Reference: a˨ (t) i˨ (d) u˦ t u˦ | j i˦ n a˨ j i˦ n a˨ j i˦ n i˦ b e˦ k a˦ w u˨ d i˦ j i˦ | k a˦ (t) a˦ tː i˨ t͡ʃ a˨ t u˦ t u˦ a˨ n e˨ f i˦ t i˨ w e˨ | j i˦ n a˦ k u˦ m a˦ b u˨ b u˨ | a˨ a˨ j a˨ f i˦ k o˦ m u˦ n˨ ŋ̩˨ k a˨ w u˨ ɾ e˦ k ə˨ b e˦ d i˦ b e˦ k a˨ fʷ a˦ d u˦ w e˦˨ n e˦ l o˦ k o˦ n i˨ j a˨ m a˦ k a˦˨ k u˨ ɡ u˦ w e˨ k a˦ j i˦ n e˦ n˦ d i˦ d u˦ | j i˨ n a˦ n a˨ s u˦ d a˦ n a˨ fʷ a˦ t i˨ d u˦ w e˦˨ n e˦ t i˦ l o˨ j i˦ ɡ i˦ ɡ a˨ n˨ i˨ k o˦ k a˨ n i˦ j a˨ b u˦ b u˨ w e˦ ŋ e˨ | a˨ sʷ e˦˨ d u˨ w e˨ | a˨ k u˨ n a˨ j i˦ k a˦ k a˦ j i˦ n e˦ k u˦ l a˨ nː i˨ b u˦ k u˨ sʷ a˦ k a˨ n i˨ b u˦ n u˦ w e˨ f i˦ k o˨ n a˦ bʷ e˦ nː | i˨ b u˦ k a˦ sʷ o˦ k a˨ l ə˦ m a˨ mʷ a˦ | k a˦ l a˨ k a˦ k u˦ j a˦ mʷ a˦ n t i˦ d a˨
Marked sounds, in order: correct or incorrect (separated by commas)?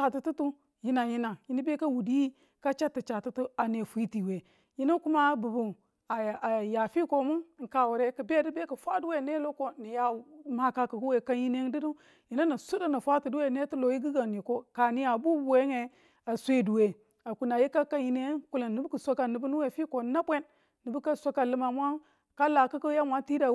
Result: correct, incorrect, incorrect